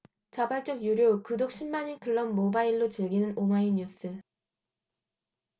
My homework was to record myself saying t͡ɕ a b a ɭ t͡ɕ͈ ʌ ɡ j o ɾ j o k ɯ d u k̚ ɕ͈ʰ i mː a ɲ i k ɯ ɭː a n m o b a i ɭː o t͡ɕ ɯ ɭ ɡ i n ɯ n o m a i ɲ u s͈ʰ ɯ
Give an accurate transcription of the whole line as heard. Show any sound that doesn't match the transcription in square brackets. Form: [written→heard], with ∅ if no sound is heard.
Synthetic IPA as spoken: t͡ɕ a b a ɭ t͡ɕ͈ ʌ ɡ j [o→u] ɾ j o k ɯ d [u→o] k̚ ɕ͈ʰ i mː a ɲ i k ɯ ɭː [a→ʌ] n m o b a i ɭː o t͡ɕ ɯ ɭ ɡ i n ɯ n o m a i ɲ u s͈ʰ ɯ